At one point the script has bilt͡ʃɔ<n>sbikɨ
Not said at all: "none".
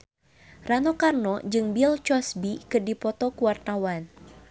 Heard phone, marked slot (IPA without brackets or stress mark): none